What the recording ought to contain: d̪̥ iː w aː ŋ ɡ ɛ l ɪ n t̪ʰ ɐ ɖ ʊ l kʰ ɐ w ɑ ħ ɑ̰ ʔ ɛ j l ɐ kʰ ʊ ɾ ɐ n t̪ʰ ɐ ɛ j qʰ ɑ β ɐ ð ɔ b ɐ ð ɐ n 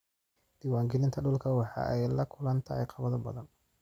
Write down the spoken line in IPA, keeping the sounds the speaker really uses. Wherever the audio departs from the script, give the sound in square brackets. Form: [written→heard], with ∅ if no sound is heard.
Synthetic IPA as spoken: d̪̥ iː w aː ŋ ɡ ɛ l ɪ n t̪ʰ ɐ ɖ ʊ l kʰ ɐ w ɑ ħ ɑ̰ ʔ ɛ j l ɐ kʰ ʊ [ɾ→l] ɐ n t̪ʰ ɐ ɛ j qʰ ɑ β ɐ ð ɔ b ɐ ð ɐ n

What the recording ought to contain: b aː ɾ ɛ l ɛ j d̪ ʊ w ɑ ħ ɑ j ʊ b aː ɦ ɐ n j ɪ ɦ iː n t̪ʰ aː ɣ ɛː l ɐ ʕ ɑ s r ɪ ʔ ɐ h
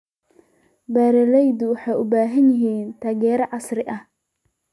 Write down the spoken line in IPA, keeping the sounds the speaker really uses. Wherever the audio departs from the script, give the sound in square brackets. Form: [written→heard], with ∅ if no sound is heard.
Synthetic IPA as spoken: b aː ɾ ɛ l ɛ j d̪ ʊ w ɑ ħ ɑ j ʊ b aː ɦ ɐ n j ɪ ɦ iː n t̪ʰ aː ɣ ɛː [l→ɾ] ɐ ʕ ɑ s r ɪ ʔ ɐ h

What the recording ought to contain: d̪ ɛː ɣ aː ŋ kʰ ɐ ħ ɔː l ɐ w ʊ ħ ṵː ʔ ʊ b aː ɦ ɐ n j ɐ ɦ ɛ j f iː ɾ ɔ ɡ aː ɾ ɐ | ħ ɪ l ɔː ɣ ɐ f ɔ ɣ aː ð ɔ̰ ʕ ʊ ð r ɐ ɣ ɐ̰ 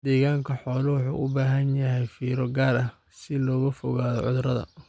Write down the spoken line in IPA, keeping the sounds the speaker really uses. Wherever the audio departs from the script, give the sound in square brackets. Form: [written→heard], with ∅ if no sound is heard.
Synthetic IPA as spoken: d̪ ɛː ɣ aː ŋ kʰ ɐ ħ ɔː l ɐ w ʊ ħ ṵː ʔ ʊ b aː ɦ ɐ n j ɐ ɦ ɛ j f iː ɾ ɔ ɡ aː ɾ ɐ | [ħ→s] ɪ l ɔː ɣ ɐ f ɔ ɣ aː ð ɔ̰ ʕ ʊ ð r ɐ [ɣ→ð] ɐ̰

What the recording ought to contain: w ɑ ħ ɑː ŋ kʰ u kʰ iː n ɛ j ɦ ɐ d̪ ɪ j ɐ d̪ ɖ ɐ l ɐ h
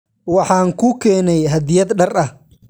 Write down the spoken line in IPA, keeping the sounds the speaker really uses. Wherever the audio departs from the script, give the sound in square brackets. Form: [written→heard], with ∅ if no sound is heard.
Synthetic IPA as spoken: w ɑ ħ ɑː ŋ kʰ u kʰ [iː→ɛː] n ɛ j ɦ ɐ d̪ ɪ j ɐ d̪ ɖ ɐ [l→r] ɐ h

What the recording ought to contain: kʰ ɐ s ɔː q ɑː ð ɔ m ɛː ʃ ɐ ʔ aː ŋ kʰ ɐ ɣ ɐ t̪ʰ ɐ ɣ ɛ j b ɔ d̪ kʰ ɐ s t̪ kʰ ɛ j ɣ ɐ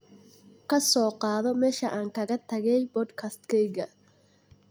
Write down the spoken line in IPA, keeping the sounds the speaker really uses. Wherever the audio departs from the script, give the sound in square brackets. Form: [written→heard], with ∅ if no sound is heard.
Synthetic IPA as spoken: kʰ ɐ s ɔː q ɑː ð ɔ m ɛː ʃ ɐ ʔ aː ŋ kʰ ɐ ɣ ɐ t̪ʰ ɐ ɣ ɛ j b ɔ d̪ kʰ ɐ s t̪ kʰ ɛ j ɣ ɐ

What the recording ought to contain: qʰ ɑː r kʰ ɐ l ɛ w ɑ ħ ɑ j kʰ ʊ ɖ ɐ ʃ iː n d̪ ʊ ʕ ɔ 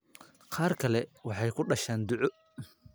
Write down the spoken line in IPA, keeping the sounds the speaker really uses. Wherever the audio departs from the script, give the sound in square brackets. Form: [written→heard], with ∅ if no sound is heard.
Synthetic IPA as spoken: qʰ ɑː r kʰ ɐ l ɛ w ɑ ħ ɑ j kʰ ʊ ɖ ɐ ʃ [iː→aː] n d̪ ʊ ʕ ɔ

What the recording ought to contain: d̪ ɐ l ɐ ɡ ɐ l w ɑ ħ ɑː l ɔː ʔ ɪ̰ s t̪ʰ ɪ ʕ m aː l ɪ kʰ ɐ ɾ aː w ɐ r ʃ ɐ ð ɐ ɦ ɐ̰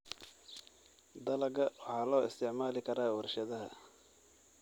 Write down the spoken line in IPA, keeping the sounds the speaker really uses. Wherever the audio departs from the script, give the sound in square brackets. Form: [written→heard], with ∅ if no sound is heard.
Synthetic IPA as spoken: d̪ ɐ l ɐ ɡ ɐ [l→∅] w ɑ ħ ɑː l ɔː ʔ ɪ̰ s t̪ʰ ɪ ʕ m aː l ɪ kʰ ɐ ɾ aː w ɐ r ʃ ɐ ð ɐ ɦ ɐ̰

